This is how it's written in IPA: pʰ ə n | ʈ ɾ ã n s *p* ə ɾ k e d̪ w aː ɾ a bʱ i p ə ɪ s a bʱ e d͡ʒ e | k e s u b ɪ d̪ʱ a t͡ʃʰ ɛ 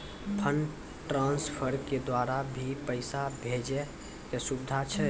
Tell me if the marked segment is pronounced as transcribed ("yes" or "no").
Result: no